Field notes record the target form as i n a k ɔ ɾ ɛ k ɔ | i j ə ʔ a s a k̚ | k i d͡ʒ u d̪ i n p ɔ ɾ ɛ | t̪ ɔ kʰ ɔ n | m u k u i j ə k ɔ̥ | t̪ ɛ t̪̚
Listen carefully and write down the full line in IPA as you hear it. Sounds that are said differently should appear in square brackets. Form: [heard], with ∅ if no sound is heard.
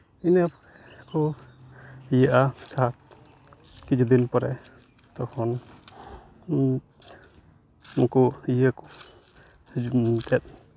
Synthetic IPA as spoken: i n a [p] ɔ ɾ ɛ k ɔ | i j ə ʔ a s a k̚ | k i d͡ʒ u d̪ i n p ɔ ɾ ɛ | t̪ ɔ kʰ ɔ n | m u k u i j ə k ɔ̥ | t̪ ɛ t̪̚